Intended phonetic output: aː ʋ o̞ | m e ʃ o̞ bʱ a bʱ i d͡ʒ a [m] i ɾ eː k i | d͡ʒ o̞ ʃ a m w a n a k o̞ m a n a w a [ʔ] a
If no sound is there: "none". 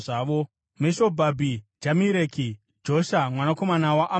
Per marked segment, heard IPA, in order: m, ʔ

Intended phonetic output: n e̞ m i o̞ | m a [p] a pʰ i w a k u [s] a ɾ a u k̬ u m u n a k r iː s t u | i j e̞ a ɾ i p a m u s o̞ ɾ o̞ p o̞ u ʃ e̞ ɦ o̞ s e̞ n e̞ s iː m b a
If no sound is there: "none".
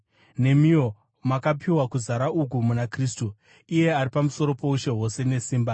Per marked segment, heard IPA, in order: k, z

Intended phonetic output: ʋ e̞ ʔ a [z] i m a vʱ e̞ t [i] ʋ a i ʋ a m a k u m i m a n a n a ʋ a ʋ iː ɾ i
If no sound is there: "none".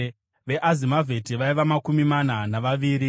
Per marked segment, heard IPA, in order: z, i

